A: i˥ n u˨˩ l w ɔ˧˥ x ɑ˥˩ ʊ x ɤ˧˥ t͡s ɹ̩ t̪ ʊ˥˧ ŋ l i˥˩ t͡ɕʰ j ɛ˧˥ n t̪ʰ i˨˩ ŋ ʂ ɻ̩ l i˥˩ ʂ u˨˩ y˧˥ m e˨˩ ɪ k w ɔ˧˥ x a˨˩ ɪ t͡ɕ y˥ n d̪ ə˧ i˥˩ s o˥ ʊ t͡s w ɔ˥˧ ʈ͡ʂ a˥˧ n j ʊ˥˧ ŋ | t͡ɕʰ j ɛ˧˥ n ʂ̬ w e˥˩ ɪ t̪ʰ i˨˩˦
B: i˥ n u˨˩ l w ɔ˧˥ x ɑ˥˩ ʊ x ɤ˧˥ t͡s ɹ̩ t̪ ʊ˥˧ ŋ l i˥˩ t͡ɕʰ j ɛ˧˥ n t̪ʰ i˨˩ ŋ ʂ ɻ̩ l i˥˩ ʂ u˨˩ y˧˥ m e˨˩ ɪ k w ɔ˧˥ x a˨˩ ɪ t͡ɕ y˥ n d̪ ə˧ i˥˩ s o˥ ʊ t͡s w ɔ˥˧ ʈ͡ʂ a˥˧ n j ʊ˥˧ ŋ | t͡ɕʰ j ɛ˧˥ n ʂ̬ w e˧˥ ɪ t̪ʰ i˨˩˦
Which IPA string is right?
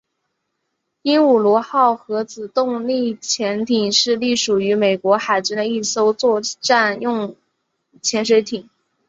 B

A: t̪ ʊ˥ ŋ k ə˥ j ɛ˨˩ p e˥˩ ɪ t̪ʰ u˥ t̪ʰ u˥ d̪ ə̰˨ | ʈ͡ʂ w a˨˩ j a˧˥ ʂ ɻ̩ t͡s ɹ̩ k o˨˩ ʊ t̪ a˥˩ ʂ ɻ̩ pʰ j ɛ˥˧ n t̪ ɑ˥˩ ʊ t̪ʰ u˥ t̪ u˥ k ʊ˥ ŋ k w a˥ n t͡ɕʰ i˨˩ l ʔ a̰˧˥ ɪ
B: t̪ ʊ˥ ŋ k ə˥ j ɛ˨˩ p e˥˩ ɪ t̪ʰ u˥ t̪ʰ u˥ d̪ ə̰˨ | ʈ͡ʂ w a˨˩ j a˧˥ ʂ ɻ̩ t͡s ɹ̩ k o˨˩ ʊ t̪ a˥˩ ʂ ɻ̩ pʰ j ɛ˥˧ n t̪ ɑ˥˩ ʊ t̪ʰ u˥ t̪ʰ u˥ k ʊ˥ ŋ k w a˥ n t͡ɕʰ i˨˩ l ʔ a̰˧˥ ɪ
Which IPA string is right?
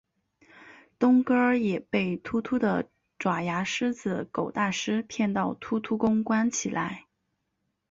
B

